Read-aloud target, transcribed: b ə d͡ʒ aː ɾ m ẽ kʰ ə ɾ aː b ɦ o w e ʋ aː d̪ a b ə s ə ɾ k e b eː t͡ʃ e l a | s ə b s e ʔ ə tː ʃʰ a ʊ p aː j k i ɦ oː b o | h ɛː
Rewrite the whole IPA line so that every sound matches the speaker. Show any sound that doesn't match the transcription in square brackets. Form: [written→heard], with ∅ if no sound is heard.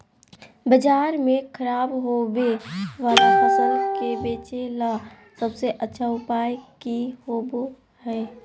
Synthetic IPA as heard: b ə d͡ʒ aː ɾ m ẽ kʰ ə ɾ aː b ɦ o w e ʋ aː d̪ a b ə s ə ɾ k e b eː t͡ʃ e l a | s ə b s e ʔ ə tː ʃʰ a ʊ p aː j k i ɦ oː b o | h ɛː